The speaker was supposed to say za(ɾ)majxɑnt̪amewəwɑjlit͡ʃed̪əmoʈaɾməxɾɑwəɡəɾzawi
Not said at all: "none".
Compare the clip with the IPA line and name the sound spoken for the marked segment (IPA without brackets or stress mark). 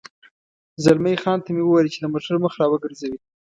l